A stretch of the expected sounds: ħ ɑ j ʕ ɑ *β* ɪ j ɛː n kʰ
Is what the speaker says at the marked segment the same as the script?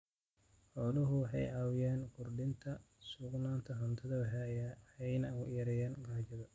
no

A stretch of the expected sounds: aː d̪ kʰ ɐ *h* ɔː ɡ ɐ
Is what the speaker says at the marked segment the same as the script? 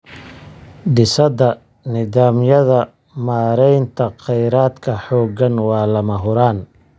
no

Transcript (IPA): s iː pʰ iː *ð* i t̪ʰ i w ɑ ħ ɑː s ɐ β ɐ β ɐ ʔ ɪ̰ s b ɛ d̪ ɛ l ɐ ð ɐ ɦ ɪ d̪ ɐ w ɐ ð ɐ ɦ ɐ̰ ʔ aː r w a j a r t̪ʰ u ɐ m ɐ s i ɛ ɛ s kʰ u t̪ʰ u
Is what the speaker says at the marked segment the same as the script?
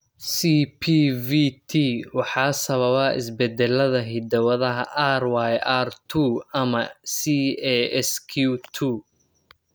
no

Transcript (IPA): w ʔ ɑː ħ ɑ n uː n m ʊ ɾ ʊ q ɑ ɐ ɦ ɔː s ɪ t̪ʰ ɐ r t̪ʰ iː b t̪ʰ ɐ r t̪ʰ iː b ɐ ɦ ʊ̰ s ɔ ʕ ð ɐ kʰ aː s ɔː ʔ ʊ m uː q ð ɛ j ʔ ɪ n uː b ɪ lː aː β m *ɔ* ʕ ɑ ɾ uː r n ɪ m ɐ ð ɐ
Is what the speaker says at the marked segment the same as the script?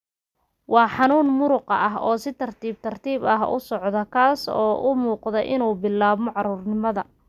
yes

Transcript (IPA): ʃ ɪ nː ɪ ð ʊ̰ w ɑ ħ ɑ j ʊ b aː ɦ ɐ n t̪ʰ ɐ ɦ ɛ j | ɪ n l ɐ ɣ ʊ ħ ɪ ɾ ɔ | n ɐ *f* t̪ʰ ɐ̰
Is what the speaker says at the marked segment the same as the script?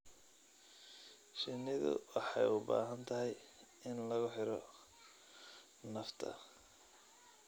yes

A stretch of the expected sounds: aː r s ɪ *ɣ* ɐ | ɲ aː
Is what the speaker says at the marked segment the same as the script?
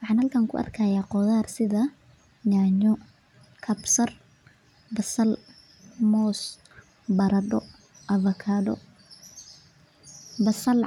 no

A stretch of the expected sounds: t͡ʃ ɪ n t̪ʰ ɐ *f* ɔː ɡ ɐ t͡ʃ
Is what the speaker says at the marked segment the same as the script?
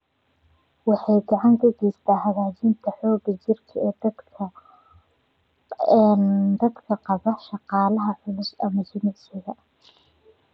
no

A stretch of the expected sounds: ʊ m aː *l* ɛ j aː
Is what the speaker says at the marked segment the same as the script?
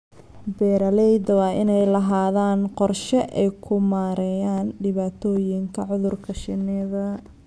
no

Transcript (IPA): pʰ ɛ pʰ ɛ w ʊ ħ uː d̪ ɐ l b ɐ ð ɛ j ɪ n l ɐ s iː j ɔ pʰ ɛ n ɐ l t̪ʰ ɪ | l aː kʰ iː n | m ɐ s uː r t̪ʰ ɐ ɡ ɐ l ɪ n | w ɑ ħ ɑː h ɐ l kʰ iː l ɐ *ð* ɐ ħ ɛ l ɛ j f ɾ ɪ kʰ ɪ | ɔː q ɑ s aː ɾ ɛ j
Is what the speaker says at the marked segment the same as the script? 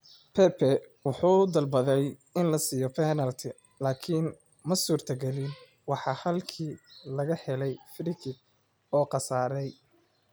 no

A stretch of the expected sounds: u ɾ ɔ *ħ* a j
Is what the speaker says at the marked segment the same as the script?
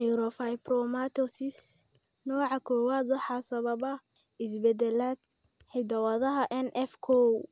no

